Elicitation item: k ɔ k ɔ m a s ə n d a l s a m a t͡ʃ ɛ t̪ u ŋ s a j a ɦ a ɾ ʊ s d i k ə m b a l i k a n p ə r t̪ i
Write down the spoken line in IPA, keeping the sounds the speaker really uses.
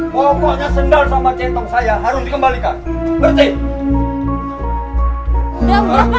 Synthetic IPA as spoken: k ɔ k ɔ ɲ a s ə n d a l s a m a t͡ʃ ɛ t̪ ɔ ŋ s a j a ɦ a ɾ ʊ s d i k ə m b a l i k a n b ə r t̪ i